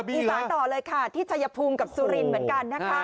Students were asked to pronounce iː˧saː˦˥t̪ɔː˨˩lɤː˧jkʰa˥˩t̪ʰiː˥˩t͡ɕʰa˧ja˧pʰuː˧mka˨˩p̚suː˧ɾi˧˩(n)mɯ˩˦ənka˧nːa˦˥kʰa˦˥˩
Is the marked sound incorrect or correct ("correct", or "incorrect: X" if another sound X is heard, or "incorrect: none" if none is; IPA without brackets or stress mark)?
correct